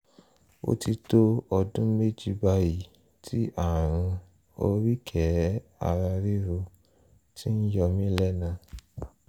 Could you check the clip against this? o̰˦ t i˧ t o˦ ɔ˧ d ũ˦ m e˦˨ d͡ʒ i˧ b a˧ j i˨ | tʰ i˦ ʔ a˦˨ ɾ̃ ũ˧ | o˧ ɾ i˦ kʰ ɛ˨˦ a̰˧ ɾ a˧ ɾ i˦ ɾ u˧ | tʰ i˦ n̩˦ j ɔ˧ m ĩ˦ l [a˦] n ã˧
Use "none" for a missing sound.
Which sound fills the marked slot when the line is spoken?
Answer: ɛ˦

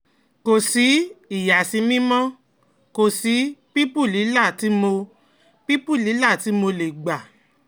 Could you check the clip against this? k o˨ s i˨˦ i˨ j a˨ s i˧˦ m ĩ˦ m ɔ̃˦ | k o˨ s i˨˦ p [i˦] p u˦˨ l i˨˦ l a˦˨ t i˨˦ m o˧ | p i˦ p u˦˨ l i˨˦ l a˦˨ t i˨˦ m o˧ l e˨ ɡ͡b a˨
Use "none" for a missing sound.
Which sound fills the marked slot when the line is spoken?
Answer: i˦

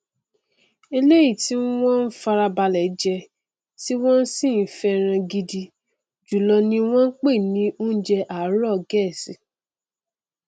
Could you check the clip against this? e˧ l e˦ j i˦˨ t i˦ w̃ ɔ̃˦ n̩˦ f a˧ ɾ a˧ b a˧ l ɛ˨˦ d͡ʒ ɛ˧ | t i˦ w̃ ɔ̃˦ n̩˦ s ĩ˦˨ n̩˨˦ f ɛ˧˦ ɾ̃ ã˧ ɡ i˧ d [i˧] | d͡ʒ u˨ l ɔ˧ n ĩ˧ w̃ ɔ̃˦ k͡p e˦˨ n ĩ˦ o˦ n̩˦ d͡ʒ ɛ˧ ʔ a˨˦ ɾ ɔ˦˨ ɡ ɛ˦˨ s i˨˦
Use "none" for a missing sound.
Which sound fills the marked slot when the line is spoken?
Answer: i˧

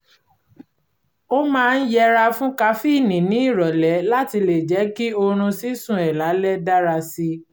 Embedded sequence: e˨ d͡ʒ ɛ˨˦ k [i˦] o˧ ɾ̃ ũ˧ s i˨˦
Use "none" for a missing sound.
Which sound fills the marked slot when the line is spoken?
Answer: i˦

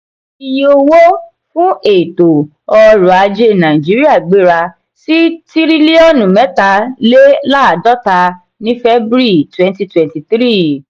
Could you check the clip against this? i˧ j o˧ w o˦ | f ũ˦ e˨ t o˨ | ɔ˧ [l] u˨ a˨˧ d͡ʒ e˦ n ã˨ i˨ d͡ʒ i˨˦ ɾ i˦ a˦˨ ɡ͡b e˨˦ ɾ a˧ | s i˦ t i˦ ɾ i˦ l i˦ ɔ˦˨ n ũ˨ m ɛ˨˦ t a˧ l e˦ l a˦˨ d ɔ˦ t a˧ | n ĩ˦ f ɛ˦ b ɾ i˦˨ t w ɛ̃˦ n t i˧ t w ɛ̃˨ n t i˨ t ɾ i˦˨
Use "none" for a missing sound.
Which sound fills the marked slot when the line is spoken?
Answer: ɾ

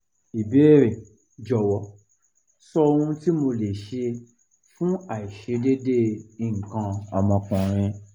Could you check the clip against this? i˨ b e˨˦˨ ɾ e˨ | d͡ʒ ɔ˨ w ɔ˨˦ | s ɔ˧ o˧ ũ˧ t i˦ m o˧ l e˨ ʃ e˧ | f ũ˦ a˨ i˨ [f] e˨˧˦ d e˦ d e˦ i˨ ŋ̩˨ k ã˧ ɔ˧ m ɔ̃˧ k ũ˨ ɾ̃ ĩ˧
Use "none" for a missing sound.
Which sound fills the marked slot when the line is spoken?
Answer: ʃ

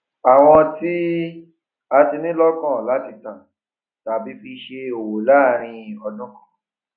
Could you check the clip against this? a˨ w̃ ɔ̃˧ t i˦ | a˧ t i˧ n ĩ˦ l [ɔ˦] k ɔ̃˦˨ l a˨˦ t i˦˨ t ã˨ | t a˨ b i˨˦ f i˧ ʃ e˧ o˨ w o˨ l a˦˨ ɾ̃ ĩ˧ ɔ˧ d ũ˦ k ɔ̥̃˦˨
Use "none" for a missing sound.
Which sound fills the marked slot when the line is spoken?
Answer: ɔ˦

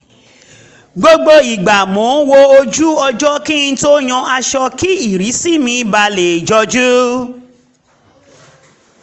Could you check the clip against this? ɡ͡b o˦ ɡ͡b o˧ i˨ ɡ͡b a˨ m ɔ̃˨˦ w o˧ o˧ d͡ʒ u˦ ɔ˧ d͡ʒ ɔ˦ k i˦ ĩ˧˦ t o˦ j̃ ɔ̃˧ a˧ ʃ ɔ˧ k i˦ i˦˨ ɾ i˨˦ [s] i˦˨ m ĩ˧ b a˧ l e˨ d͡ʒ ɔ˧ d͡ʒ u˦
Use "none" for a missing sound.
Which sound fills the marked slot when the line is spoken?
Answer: s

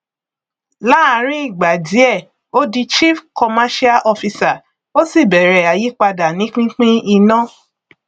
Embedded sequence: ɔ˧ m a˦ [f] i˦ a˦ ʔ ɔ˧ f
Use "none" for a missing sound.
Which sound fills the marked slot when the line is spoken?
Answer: ʃ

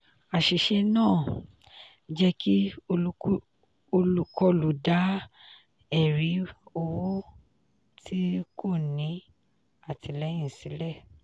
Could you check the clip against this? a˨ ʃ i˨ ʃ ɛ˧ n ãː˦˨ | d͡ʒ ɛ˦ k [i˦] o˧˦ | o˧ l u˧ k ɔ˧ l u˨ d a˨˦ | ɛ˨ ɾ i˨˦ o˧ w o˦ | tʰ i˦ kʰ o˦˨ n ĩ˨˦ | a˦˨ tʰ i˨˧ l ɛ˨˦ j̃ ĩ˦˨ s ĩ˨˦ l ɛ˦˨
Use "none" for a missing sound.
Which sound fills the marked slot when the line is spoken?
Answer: i˦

